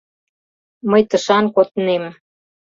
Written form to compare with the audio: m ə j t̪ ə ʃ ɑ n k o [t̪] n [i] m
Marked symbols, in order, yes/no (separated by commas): yes, no